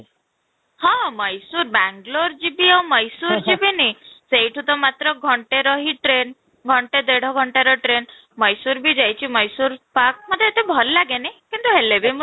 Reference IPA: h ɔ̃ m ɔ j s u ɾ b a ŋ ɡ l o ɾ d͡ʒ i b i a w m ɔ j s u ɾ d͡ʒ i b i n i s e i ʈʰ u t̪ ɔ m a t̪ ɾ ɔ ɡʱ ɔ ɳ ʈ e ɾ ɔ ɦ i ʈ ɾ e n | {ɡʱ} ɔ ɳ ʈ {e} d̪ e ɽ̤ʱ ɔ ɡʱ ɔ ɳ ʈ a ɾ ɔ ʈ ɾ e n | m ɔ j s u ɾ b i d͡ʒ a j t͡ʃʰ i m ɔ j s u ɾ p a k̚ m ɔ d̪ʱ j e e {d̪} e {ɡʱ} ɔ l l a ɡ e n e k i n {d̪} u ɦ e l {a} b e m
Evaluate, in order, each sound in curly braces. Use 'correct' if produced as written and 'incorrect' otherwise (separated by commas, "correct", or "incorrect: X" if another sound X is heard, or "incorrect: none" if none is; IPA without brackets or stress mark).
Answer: correct, correct, incorrect: t̪, incorrect: bʱ, incorrect: t̪, incorrect: e